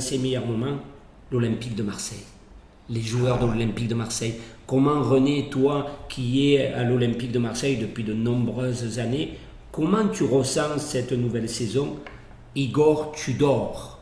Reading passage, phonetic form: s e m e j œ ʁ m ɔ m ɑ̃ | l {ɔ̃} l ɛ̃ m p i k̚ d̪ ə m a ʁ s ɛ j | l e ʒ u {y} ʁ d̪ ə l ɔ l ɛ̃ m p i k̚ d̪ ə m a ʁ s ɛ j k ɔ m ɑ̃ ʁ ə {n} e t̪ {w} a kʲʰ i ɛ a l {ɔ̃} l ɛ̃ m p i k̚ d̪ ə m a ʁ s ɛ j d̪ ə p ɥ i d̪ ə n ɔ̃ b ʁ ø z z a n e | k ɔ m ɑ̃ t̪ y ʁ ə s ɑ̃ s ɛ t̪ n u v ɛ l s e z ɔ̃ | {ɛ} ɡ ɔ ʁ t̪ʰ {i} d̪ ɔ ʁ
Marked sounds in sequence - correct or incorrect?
incorrect: ɔ, incorrect: œ, correct, correct, incorrect: ɔ, incorrect: i, incorrect: y

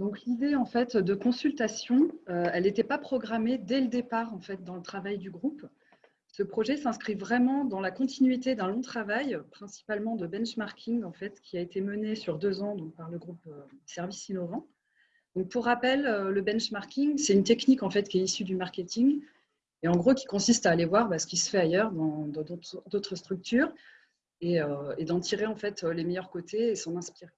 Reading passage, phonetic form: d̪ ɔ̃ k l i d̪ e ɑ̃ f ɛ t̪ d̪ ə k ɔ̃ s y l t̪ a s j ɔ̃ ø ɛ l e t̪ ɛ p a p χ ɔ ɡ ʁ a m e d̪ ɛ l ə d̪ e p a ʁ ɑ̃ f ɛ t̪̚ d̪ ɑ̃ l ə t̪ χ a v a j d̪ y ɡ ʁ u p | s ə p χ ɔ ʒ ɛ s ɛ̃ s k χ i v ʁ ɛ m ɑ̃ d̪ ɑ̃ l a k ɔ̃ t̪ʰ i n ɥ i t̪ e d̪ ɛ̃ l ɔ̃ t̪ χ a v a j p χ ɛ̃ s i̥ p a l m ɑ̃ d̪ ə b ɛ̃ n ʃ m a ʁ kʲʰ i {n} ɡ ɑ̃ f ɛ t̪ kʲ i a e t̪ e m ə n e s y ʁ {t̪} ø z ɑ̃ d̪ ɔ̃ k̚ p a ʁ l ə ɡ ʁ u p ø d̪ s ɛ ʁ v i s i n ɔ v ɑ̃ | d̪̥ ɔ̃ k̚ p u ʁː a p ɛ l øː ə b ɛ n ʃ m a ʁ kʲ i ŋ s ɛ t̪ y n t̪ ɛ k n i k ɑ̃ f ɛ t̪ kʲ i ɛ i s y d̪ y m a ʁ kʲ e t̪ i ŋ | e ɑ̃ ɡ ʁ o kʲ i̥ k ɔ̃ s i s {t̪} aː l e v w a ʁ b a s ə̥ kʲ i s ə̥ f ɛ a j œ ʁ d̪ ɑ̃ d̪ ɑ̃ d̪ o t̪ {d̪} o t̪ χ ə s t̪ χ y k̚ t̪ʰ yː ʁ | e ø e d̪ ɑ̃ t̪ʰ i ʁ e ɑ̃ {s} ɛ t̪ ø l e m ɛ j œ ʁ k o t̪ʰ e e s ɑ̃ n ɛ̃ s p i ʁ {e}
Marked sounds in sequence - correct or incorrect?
incorrect: ŋ, incorrect: d̪, correct, correct, incorrect: f, correct

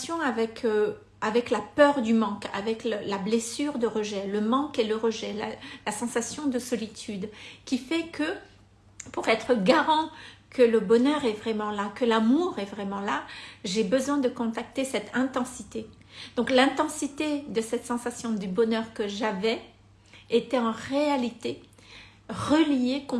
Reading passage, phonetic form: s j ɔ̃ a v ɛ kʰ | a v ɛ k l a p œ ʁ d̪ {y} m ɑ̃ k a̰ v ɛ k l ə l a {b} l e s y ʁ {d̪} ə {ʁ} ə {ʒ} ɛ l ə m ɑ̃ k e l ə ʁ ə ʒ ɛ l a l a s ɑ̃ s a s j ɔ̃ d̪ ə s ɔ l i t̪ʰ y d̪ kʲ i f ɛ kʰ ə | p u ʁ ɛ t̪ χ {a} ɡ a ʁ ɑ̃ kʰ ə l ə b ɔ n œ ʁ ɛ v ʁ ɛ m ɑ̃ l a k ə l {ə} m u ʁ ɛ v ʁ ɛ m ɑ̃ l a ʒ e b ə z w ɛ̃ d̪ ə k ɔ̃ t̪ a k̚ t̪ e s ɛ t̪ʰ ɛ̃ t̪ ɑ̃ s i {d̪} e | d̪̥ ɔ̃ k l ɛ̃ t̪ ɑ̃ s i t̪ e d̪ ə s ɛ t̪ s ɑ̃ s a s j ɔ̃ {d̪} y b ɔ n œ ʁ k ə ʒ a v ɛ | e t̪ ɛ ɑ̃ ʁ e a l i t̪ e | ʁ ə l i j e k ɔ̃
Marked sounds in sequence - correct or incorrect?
correct, correct, correct, correct, correct, incorrect: ə, incorrect: a, incorrect: t̪, correct

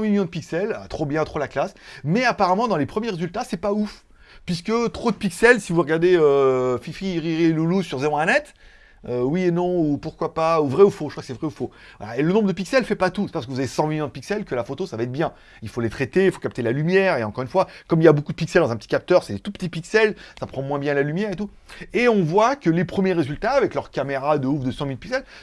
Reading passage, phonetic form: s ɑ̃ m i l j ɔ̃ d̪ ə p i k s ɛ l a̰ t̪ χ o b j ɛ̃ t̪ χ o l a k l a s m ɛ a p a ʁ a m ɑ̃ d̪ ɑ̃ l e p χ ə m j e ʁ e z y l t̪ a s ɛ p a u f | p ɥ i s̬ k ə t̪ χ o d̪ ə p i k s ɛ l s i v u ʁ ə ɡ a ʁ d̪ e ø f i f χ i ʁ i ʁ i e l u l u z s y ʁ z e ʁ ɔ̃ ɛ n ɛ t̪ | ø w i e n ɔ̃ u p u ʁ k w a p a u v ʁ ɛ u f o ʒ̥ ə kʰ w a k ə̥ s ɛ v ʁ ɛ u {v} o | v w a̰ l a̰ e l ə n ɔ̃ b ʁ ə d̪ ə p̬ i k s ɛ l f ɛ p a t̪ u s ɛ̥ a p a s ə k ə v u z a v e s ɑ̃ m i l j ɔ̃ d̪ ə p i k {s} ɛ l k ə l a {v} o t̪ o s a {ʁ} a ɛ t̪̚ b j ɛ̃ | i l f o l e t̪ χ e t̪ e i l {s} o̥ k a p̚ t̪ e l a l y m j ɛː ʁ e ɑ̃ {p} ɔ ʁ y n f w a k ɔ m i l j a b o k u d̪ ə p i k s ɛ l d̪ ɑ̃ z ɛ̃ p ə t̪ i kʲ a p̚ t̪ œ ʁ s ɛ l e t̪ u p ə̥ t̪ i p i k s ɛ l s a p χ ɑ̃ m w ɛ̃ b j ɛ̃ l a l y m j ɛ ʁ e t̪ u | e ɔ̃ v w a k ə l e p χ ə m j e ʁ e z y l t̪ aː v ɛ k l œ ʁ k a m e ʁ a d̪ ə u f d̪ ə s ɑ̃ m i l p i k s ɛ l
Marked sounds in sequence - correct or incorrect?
incorrect: f, correct, incorrect: f, incorrect: v, incorrect: f, incorrect: k

